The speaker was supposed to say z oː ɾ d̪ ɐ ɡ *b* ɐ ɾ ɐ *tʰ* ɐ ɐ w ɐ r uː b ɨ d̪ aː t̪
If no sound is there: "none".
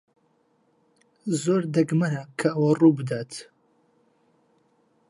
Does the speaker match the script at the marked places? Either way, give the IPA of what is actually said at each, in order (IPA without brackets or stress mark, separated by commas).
m, kʰ